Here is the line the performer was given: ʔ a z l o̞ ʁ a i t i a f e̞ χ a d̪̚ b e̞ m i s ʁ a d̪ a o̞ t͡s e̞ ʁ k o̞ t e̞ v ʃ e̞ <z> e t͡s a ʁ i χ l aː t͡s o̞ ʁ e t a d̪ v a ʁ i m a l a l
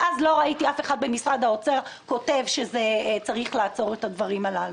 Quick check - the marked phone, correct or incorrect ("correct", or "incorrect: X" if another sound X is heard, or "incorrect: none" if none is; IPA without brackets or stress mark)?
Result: correct